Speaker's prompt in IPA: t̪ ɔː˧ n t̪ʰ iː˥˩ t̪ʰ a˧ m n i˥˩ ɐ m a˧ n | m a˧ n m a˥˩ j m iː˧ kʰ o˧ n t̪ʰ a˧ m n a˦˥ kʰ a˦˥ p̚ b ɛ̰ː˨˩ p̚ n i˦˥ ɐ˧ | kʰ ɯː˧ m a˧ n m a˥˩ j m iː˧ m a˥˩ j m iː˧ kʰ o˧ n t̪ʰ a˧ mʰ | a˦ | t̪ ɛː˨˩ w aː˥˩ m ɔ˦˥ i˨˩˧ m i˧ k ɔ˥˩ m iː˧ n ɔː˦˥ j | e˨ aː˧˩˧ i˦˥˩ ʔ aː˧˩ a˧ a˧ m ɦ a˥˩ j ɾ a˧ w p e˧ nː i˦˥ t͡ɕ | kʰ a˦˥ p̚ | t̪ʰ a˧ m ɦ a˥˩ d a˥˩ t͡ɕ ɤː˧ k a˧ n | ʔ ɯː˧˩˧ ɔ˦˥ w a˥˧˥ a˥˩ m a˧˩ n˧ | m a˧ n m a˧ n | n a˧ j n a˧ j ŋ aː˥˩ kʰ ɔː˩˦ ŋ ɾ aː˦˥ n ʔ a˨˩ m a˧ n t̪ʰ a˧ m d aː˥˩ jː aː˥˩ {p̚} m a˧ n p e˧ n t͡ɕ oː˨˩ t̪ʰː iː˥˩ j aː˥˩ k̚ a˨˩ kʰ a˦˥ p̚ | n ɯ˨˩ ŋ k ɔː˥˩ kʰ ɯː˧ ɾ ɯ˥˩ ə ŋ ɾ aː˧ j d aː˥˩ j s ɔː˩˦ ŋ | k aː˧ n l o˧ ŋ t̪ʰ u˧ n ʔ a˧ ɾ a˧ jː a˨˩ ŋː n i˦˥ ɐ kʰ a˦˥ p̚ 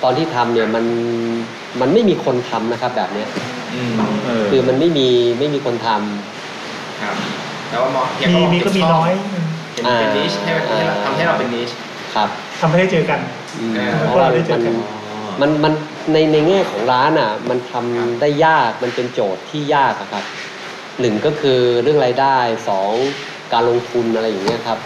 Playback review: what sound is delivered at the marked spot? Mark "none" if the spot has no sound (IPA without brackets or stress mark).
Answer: k̚